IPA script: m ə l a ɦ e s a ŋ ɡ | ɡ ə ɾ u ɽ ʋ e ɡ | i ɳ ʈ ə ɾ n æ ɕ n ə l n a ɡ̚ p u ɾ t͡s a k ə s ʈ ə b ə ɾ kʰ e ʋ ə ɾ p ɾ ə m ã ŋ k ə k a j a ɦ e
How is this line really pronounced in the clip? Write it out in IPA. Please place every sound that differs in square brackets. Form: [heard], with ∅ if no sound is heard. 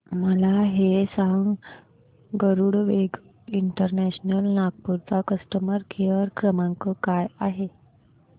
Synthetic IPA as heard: m ə l a ɦ e s a ŋ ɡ | ɡ ə ɾ u ɽ ʋ e ɡ | i ɳ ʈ ə ɾ n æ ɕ n ə l n a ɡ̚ p u ɾ t͡s a k ə s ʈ ə [m] ə ɾ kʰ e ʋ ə ɾ [k] ɾ ə m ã ŋ k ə k a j a ɦ e